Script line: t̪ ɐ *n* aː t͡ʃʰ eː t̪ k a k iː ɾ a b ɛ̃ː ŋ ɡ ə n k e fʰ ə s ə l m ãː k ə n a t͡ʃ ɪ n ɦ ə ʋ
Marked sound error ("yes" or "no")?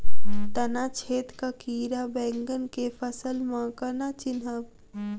no